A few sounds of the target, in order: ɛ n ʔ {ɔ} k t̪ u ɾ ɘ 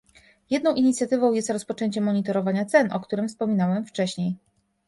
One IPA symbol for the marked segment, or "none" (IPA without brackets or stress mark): ɔ